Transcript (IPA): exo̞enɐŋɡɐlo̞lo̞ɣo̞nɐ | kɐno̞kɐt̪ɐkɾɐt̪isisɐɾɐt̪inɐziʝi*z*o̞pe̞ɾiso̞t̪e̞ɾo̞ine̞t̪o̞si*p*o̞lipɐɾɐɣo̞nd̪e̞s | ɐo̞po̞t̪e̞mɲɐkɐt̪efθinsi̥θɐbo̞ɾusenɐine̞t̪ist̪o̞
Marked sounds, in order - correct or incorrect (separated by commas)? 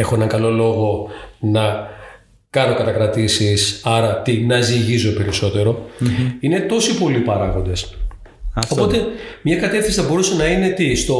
correct, correct